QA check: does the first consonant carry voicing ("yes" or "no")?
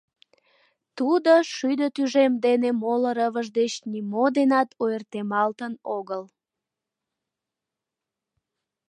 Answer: no